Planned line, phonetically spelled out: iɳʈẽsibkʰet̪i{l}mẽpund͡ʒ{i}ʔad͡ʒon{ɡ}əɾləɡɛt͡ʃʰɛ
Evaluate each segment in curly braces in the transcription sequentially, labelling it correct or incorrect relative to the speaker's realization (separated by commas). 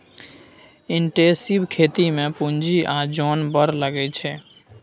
incorrect, correct, incorrect